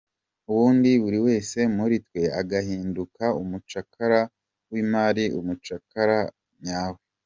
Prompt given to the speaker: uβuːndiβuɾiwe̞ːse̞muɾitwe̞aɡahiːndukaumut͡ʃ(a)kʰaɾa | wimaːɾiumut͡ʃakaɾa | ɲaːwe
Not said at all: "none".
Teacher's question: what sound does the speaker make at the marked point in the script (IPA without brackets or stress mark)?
a